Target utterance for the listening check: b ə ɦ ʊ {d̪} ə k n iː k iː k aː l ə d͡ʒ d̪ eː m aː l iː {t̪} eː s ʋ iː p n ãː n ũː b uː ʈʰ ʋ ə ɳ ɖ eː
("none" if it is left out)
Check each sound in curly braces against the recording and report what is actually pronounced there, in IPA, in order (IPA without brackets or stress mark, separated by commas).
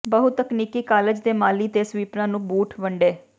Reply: t̪, t̪